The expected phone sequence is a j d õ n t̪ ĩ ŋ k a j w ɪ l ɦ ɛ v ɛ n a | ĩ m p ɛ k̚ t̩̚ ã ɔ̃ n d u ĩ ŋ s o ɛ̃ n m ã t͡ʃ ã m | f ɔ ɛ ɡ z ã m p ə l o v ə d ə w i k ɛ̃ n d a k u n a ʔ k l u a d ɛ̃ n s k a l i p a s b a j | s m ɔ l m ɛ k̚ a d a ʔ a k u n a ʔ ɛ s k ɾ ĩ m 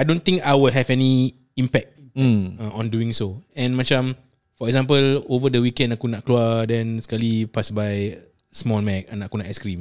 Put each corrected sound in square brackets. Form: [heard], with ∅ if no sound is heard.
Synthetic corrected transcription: a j d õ n t̪ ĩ ŋ k a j w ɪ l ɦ ɛ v ɛ n [i] | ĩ m p ɛ k̚ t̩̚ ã ɔ̃ n d u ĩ ŋ s o ɛ̃ n m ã t͡ʃ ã m | f ɔ ɛ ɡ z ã m p ə l o v ə d ə w i k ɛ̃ n d a k u n a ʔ k l u a d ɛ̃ n s k a l i p a s b a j | s m ɔ l m ɛ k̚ a [n] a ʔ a k u n a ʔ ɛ s k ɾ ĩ m